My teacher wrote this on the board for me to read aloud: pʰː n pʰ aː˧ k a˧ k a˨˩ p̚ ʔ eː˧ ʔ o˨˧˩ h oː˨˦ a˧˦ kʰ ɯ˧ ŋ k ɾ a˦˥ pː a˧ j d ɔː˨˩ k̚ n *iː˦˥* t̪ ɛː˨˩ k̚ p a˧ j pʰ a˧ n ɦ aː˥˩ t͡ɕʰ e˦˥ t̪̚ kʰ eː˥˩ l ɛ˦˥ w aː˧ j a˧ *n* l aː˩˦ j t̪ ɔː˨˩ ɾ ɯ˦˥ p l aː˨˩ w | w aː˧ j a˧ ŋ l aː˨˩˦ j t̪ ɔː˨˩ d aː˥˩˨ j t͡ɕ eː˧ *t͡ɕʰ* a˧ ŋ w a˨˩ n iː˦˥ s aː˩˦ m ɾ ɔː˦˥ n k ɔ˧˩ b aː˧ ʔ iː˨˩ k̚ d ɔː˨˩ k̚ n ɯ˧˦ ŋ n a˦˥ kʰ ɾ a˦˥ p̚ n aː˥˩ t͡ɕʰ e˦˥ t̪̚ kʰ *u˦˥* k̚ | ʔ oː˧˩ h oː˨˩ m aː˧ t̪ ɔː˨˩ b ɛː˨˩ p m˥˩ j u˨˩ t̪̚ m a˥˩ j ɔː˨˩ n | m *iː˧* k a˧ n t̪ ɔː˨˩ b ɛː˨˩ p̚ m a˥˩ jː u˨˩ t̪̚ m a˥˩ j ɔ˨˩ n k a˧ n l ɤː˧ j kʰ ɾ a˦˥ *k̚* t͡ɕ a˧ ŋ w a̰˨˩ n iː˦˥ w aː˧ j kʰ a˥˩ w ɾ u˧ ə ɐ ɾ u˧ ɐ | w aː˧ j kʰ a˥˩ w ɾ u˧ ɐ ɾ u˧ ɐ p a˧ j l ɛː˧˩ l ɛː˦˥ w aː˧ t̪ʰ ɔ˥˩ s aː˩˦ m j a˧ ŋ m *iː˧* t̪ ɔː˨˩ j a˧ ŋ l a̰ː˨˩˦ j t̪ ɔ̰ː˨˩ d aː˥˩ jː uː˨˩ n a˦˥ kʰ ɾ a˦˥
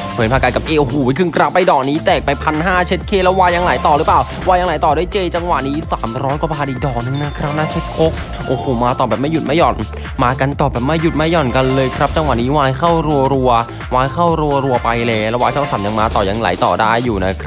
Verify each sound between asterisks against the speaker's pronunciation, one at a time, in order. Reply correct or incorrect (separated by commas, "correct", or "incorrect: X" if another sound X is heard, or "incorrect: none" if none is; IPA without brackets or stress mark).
correct, incorrect: ŋ, incorrect: t͡ɕ, incorrect: o˦˥, incorrect: aː˧, incorrect: p̚, incorrect: aː˧